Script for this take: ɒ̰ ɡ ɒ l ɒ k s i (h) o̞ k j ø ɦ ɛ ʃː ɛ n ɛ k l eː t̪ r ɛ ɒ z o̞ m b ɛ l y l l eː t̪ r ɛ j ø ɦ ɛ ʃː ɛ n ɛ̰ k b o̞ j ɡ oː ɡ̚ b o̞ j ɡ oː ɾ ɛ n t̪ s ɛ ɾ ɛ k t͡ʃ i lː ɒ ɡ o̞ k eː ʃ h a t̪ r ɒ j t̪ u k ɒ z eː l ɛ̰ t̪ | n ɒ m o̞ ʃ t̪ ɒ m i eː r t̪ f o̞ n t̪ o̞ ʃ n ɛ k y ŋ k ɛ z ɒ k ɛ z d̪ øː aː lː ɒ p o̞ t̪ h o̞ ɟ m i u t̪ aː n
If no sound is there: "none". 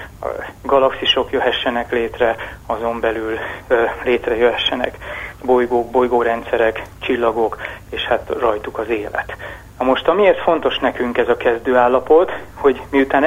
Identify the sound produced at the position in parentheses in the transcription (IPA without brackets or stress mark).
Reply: ʃ